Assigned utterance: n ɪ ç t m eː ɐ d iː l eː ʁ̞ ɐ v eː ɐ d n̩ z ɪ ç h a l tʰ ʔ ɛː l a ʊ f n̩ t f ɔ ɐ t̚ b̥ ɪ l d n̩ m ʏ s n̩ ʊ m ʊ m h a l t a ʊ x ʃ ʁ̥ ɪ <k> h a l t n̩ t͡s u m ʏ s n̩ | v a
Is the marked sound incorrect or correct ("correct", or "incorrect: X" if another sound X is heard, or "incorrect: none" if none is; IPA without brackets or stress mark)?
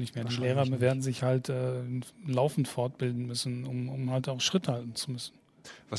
incorrect: t